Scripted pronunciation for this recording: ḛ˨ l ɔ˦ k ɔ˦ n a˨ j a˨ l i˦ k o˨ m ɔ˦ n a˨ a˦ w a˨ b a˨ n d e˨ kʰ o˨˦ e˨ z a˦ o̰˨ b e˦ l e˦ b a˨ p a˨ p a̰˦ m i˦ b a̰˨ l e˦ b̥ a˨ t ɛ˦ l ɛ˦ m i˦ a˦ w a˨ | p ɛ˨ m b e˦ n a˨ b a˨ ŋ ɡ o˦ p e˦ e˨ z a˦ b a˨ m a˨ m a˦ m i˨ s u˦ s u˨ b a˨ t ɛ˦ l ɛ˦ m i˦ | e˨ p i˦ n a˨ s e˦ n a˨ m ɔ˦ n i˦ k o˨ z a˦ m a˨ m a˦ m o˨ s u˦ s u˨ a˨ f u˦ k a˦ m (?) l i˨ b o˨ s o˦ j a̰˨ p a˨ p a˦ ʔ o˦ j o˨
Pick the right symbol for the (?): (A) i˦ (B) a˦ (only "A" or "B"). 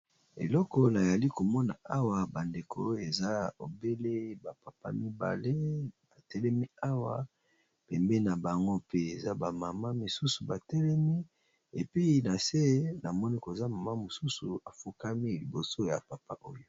A